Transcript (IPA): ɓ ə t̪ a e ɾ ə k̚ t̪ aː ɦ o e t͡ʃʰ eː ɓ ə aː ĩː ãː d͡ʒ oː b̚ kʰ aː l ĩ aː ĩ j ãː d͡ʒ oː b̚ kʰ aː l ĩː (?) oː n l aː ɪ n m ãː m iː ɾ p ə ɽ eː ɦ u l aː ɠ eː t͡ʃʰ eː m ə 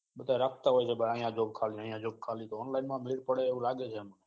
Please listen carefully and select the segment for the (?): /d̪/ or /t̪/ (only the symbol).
t̪